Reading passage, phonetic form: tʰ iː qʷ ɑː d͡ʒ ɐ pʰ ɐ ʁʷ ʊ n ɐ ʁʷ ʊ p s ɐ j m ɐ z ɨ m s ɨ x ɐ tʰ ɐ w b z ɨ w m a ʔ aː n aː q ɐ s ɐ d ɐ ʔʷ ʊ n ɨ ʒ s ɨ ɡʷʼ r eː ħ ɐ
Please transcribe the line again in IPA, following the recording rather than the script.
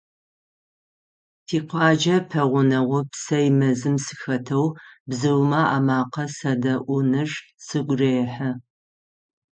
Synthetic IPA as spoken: tʰ iː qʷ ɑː d͡ʒ ɐ pʰ ɐ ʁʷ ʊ n ɐ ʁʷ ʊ p s ɐ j m ɐ z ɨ m s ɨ x ɐ tʰ ɐ w b z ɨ w m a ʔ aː m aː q ɐ s ɐ d ɐ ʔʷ ʊ n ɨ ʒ s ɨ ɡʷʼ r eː ħ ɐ

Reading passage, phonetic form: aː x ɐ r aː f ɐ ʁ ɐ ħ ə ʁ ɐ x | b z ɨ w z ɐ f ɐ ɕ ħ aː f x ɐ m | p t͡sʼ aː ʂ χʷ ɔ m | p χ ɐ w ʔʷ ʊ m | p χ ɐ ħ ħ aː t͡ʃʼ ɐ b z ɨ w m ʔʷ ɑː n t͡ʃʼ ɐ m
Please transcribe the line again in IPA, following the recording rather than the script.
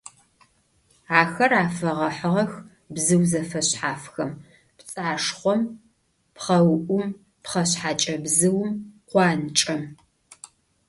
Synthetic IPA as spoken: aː x ɐ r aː f ɐ ʁ ɐ ħ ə ʁ ɐ x | b z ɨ w z ɐ f ɐ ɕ ħ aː f x ɐ m | p t͡sʼ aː ʂ χʷ ɔ m | p χ ɐ w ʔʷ ʊ m | p χ ɐ ɕ ħ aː t͡ʃʼ ɐ b z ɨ w m qʷ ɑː n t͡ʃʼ ɐ m

